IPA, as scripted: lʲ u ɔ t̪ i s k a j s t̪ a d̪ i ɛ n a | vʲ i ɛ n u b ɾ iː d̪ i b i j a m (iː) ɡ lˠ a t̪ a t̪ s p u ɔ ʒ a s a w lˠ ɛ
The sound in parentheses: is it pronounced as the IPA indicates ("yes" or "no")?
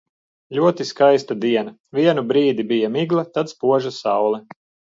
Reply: no